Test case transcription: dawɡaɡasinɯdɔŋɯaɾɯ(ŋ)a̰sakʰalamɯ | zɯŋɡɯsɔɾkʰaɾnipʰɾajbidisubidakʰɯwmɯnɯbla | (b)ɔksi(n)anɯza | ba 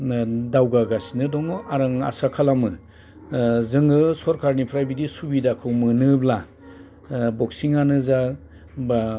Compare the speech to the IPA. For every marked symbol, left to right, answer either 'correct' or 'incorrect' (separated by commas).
correct, correct, incorrect